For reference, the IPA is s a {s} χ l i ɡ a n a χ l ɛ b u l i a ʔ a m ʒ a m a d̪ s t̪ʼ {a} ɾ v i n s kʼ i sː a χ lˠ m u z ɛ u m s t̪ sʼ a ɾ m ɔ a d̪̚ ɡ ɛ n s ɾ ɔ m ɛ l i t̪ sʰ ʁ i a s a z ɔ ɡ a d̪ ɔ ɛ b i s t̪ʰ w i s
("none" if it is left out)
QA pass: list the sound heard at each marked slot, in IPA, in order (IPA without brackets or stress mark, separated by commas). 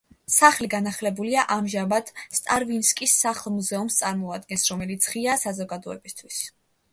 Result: none, a